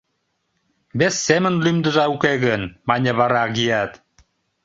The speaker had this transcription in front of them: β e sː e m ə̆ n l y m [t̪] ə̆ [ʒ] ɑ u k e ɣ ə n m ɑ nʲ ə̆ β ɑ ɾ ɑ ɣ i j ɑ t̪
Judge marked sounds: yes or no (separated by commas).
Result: no, yes